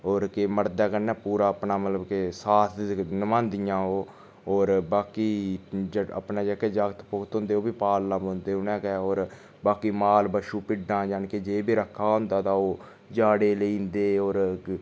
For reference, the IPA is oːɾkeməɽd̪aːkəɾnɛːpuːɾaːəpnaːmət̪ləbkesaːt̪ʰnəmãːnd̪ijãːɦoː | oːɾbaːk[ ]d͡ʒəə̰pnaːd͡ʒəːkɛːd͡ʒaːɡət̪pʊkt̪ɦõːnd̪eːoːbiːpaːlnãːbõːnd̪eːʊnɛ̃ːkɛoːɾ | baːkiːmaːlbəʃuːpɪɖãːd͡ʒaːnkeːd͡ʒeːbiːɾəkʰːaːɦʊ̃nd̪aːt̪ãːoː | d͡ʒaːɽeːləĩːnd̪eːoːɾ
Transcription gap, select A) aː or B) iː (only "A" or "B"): B